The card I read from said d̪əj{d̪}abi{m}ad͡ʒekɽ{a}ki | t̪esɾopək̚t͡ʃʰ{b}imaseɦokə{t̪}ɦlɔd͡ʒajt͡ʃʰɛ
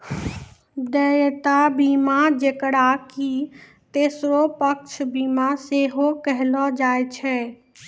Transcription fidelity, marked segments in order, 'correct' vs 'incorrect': incorrect: t̪, correct, correct, correct, incorrect: none

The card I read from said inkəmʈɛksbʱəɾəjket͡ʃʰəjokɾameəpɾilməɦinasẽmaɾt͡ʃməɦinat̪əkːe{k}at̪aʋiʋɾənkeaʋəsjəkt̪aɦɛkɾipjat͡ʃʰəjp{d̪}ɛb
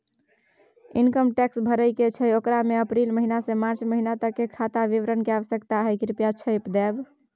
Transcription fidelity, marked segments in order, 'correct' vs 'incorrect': incorrect: kʰ, correct

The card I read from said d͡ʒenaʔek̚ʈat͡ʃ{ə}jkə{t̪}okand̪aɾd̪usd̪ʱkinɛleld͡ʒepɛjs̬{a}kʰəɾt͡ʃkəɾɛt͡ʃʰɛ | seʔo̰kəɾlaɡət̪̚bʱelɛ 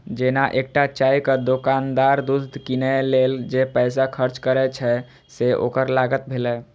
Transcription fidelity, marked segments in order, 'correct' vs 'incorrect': incorrect: a, incorrect: d̪, correct

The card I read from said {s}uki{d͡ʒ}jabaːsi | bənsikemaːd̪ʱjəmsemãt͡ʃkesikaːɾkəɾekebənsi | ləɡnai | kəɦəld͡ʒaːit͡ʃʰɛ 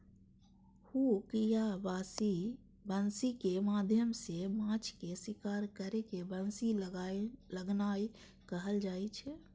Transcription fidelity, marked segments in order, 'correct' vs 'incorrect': incorrect: h, incorrect: none

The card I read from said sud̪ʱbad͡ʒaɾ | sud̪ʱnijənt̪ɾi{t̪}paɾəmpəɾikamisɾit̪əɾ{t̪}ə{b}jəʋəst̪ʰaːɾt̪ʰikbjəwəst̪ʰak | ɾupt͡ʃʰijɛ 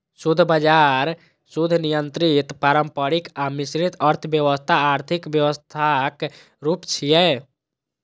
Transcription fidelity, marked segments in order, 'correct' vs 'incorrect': correct, incorrect: t̪ʰ, correct

